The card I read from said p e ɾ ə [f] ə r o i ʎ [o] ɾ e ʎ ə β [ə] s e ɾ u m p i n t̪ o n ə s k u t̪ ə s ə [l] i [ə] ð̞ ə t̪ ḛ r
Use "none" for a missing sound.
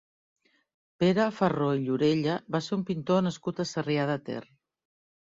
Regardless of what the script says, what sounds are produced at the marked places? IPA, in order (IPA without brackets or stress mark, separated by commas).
f, u, a, r, a